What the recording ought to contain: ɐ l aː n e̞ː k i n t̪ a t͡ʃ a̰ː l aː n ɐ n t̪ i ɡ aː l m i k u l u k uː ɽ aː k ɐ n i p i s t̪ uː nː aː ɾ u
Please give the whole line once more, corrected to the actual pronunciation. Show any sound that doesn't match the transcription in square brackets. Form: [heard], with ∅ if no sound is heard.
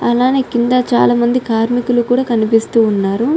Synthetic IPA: ɐ l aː n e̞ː k i n [d̪] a t͡ʃ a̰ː l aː [m] ɐ n [d̪] i [k] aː [ɾ] m i k u l u k uː ɽ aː k ɐ n i p i s t̪ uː nː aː ɾ u